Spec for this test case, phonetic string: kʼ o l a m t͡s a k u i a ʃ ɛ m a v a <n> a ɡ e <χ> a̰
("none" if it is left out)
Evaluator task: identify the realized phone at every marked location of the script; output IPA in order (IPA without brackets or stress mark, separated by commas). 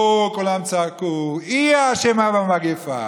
m, f